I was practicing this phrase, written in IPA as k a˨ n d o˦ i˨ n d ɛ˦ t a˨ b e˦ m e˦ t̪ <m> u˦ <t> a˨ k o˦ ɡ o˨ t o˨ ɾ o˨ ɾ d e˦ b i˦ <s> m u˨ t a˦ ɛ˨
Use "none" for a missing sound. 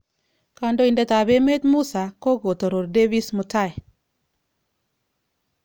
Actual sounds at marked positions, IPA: m, s, s

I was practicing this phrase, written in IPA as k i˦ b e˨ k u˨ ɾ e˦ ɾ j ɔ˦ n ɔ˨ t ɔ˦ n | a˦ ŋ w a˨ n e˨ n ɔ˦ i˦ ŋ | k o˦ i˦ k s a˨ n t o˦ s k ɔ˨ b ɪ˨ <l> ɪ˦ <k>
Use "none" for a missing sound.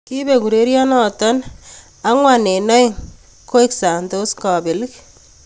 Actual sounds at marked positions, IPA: l, k

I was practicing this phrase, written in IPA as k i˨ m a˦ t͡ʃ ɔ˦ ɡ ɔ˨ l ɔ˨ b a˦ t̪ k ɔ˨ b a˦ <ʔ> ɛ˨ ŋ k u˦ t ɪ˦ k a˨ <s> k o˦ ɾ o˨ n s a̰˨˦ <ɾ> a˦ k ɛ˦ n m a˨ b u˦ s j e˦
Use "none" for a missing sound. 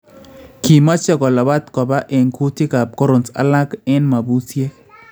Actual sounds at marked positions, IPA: ʔ, none, l

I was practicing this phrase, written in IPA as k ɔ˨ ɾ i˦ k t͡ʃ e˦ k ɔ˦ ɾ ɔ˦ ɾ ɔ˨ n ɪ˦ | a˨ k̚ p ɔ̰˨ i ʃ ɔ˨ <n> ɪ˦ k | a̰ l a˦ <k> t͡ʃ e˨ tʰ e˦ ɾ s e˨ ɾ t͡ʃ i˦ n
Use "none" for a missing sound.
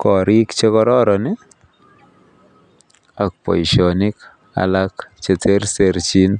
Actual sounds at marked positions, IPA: n, k

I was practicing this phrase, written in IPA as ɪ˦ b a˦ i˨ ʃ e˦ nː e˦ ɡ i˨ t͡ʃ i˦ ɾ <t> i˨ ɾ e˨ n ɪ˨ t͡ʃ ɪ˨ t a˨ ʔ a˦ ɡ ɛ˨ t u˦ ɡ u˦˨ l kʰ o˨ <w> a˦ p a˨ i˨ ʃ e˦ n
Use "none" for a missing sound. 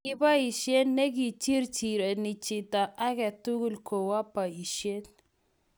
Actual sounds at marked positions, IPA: t͡ʃ, w

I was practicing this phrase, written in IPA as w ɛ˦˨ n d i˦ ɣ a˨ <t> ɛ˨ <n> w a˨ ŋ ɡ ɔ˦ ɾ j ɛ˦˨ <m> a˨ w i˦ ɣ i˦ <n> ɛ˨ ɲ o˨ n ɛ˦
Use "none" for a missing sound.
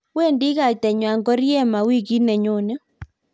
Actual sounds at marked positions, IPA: t, ɲ, m, n

